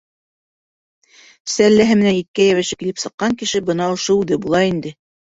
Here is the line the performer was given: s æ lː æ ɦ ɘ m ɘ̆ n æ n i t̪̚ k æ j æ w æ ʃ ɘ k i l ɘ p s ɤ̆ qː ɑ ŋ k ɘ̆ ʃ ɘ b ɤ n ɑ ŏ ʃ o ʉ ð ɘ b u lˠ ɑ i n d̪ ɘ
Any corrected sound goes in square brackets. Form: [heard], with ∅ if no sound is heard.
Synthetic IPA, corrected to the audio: s æ lː æ ɦ ɘ m ɘ̆ n æ n i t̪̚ k æ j æ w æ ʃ ɘ k i l ɘ p s ɤ̆ qː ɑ ŋ k ɘ̆ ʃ ɘ b ɤ n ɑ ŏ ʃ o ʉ ð ɘ b u lˠ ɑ i n d̪ ɘ